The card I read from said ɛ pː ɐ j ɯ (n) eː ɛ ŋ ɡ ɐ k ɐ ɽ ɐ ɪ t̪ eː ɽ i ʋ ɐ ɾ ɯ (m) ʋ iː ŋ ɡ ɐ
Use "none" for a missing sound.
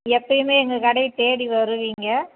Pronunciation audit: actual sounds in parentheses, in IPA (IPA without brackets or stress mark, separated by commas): m, none